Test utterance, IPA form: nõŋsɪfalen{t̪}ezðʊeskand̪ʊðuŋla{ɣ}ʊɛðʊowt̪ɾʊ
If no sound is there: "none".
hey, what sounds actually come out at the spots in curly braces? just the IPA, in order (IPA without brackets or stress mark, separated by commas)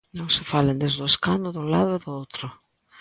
d̪, ð